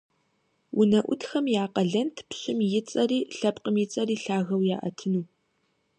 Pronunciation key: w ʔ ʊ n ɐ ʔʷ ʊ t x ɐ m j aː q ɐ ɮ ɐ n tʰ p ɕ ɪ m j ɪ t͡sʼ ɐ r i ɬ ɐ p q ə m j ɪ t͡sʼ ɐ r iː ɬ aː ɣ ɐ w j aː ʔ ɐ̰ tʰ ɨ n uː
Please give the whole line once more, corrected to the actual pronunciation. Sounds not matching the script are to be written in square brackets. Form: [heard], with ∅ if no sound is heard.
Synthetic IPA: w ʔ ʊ n ɐ ʔʷ ʊ t x ɐ m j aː q ɐ ɮ ɐ n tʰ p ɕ ɪ m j ɪ t͡sʼ ɐ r [iː] ɬ ɐ p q ə m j ɪ t͡sʼ ɐ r iː ɬ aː ɣ ɐ w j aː ʔ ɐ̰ tʰ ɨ n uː